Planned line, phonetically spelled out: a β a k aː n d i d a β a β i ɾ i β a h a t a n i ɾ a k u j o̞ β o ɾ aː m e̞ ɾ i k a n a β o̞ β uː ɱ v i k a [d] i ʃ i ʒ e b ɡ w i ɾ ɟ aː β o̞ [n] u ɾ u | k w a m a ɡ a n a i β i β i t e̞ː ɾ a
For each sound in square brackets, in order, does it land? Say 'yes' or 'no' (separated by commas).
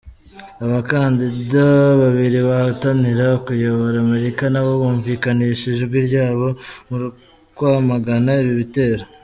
no, no